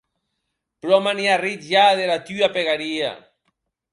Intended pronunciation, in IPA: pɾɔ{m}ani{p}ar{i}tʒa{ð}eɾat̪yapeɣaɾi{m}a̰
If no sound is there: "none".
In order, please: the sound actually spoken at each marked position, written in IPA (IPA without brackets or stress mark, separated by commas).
m, none, i, ð, none